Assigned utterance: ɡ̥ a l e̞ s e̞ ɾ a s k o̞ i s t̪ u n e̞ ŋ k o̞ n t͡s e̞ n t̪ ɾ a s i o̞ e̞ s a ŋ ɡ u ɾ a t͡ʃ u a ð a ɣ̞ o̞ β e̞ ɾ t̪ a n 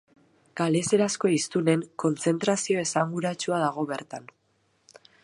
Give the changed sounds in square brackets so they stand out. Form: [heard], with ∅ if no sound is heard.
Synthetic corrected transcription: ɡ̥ a l e̞ s e̞ ɾ a s k o̞ i s t̪ u n e̞ ŋ k o̞ n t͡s e̞ n t̪ ɾ a s i o̞ e̞ s a ŋ ɡ u ɾ a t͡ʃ u a ð a ɣ̞ o̞ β e̞ ɾ t̪ a n